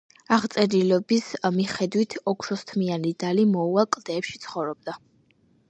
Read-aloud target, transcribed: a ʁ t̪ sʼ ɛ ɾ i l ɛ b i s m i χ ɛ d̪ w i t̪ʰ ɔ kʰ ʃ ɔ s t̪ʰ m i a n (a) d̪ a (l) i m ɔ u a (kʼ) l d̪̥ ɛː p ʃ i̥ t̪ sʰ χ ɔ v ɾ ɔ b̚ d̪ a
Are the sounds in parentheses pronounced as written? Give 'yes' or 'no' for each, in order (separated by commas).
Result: no, yes, yes